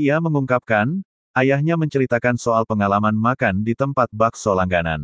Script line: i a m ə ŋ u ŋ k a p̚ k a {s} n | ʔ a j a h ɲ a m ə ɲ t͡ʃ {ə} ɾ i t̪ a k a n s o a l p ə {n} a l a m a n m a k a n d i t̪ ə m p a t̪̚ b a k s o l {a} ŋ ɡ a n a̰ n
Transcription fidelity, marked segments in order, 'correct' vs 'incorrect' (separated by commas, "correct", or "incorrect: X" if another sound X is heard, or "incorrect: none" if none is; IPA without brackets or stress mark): incorrect: none, correct, incorrect: ŋ, correct